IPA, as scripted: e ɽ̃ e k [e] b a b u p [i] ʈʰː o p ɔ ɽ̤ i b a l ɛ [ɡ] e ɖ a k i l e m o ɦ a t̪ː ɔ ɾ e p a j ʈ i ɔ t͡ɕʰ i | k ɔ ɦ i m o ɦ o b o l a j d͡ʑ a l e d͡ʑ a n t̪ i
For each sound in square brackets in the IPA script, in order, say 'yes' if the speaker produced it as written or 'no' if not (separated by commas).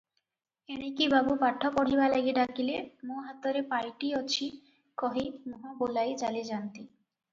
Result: no, no, yes